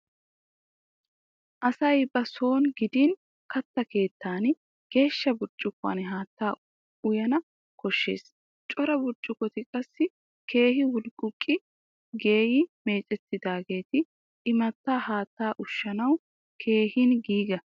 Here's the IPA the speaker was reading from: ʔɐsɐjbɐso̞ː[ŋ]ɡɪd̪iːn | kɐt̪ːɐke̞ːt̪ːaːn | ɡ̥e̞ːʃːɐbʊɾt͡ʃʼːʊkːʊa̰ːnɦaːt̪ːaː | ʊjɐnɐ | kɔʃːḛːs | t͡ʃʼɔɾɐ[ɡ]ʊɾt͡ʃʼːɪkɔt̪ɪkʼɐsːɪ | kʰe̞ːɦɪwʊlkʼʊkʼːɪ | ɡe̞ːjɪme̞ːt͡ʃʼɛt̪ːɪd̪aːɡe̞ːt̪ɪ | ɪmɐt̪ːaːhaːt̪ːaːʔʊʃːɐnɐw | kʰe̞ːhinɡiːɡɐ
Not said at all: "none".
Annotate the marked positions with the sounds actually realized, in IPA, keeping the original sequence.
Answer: n, b

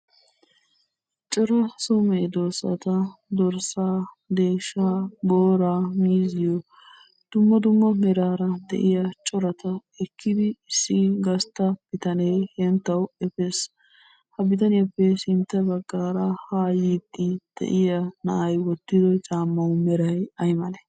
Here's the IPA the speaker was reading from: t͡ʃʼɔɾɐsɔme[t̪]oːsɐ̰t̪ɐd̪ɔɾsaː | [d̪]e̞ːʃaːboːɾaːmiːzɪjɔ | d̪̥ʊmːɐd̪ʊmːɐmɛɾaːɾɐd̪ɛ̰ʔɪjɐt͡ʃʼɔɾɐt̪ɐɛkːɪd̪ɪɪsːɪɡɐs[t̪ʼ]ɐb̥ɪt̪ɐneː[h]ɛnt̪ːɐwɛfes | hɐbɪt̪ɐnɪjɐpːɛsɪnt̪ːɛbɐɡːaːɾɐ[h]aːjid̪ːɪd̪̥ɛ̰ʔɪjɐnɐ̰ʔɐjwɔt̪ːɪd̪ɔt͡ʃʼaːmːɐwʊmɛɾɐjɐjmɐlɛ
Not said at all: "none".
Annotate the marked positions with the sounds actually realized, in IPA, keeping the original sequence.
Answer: d̪, d̪, t̪, h, h

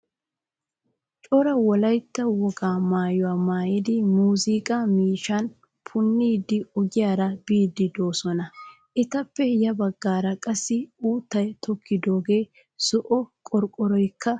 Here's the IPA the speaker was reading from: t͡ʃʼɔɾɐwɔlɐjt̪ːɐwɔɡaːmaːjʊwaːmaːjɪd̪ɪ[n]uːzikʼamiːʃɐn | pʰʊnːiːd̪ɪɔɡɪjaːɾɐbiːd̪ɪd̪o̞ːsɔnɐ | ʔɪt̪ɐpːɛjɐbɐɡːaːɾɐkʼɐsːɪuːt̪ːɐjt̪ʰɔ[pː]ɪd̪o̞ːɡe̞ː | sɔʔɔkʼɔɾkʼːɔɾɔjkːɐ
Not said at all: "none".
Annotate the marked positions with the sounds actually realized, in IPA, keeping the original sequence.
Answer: m, kː

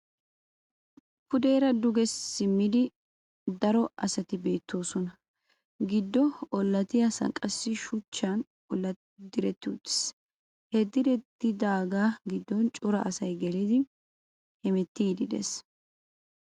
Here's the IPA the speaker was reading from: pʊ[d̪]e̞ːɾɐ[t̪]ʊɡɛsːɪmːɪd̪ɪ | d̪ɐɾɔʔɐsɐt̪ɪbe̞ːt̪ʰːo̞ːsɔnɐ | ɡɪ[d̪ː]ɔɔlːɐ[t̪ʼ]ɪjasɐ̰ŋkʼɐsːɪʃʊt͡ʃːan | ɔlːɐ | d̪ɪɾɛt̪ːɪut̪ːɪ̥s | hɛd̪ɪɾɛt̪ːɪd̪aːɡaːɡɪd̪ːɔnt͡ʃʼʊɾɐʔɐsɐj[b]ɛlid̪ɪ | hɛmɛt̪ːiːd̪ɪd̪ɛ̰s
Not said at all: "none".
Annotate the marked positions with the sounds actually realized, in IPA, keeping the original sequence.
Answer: d̪, d̪, d̪ː, t̪, ɡ

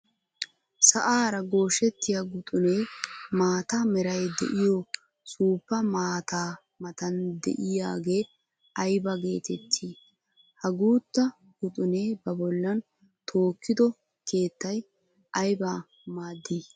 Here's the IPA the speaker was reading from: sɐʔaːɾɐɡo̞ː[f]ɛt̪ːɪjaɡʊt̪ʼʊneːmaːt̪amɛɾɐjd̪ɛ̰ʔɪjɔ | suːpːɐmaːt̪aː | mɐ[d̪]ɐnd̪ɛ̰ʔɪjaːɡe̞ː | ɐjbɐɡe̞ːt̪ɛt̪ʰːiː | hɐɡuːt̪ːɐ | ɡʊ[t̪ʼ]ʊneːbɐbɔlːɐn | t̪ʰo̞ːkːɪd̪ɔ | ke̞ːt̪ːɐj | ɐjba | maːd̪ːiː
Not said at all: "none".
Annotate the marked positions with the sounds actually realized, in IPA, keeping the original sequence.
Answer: ʃ, t̪, t̪ʼ

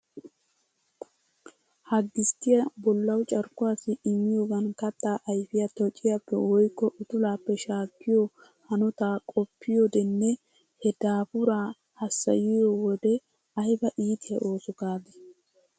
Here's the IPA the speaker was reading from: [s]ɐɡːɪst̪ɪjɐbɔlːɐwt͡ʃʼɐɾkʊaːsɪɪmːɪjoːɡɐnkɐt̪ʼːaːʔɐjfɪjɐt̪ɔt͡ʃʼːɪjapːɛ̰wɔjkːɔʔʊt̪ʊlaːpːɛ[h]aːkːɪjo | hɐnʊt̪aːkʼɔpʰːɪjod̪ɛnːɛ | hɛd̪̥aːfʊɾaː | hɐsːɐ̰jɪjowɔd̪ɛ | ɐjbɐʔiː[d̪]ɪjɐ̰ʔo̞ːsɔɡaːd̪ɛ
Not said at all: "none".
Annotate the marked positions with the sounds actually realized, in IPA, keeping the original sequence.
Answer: h, ʃ, t̪

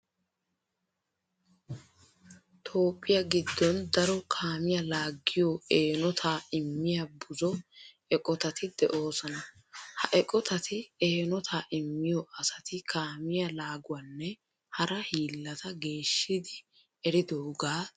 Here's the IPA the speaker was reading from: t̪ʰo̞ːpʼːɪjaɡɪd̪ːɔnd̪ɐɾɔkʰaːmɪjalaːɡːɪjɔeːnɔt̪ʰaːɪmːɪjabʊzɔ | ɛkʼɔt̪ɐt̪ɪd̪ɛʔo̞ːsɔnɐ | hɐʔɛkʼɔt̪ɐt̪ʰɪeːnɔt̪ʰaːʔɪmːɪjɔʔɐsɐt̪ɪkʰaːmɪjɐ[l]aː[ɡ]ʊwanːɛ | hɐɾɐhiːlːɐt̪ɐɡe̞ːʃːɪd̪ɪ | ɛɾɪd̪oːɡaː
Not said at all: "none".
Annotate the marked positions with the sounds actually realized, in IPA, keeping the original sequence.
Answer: l, ɡ

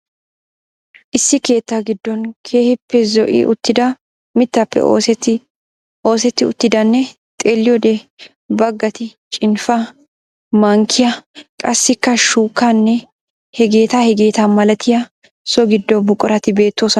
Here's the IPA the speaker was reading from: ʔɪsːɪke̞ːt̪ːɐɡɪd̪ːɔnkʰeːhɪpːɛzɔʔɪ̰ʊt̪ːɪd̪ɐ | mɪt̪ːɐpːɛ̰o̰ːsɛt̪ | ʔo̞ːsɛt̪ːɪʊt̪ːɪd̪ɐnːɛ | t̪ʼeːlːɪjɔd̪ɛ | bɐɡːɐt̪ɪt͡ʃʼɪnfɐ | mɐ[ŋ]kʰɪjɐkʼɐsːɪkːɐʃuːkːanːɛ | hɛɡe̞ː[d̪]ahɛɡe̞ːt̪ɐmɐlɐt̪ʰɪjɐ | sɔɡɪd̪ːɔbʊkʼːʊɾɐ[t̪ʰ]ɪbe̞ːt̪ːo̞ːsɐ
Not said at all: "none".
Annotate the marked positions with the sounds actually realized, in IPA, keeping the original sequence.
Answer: ŋ, t̪, t̪

